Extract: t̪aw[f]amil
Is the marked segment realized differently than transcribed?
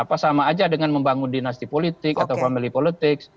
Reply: no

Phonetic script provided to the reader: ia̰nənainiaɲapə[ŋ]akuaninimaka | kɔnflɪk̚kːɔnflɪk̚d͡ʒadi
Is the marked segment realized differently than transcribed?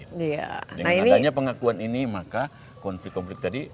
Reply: no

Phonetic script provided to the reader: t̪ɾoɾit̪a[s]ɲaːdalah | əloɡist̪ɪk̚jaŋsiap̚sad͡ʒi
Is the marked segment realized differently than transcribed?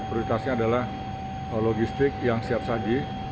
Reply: no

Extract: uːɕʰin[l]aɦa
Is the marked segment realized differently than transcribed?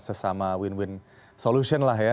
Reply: no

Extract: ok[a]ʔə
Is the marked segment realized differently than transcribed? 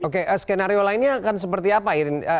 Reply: yes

